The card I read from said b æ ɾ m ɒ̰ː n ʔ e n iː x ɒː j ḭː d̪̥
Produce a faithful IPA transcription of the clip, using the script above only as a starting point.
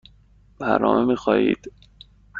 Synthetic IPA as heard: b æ ɾ n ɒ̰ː m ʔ e m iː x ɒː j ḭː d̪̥

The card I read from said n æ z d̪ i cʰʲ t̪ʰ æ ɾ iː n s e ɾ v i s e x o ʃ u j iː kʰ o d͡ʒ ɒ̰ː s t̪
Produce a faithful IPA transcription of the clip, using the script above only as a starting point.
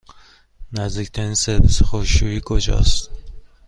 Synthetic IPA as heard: n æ z d̪ i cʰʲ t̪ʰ æ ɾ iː n s e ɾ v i s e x o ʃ u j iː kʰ o d͡ʒ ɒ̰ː s t̪

